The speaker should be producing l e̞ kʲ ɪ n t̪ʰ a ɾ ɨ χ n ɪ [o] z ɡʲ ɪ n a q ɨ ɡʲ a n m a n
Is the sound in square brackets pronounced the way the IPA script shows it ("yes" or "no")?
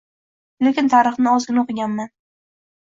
no